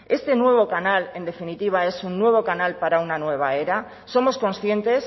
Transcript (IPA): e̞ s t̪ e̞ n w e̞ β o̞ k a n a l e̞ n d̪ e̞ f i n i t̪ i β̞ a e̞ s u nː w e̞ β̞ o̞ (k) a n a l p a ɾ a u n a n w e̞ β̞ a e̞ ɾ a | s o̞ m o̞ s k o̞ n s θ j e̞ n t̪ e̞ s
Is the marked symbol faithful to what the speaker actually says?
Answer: yes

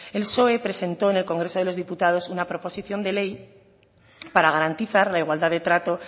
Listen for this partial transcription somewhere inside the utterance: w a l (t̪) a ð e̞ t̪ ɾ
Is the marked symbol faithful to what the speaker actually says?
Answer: no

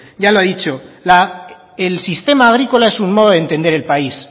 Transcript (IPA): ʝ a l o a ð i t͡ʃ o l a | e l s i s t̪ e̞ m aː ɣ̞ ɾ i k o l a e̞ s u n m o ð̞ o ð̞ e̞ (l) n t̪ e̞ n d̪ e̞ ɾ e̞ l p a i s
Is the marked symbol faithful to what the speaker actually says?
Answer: no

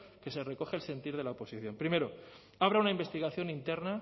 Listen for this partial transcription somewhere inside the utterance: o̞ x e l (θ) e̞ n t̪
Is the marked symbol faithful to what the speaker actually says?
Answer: no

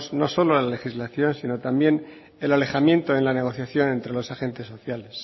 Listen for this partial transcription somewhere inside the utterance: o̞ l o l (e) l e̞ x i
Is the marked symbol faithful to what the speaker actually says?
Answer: no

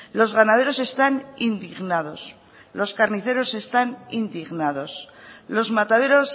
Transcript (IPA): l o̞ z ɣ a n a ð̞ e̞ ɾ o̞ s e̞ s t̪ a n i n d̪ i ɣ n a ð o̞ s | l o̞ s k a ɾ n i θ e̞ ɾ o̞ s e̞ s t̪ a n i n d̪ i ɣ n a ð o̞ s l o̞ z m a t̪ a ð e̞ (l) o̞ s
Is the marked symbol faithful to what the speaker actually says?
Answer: no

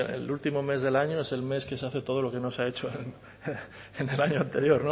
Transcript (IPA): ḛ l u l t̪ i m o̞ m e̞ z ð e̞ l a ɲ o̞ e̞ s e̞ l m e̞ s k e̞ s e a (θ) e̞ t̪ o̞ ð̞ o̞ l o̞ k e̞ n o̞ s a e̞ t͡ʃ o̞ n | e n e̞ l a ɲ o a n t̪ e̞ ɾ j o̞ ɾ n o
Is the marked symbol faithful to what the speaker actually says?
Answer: yes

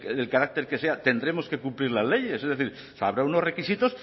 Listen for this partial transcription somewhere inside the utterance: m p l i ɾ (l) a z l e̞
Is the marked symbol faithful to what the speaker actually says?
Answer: yes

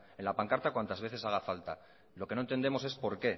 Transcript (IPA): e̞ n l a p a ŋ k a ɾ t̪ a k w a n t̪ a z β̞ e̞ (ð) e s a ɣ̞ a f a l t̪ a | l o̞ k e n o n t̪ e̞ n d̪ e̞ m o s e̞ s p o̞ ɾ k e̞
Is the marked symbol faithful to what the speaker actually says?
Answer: no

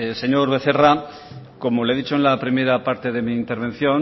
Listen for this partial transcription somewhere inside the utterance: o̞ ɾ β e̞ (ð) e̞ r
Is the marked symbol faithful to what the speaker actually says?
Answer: no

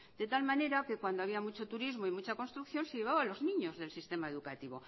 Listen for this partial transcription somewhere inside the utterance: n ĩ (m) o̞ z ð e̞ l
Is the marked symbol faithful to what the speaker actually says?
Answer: no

